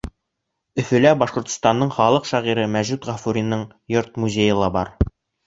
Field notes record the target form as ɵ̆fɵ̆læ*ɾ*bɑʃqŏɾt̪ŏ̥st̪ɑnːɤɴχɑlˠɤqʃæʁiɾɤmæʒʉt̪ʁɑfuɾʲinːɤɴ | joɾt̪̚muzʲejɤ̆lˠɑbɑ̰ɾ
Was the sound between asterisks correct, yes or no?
no